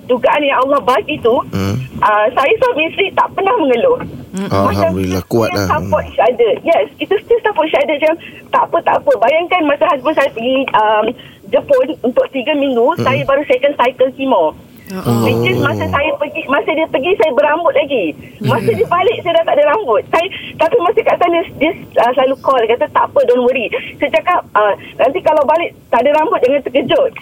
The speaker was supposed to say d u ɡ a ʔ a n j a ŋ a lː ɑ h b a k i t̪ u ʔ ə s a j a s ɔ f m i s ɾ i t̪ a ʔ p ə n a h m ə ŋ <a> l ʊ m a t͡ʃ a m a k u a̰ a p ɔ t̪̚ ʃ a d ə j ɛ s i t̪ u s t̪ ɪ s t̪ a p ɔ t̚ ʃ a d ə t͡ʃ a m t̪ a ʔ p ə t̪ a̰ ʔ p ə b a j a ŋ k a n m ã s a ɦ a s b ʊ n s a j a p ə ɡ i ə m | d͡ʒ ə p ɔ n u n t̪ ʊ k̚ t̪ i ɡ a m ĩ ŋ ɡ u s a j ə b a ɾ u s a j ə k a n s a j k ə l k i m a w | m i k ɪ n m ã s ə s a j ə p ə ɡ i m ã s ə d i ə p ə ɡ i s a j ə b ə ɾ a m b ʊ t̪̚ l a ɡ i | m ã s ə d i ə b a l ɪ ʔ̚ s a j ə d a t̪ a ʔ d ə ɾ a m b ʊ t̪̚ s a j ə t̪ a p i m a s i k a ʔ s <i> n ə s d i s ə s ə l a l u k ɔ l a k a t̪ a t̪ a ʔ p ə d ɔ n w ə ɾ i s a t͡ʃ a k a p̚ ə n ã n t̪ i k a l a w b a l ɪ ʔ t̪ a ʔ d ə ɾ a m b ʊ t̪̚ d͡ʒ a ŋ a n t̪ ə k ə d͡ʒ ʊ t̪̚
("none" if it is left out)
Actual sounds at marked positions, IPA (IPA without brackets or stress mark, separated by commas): ə, a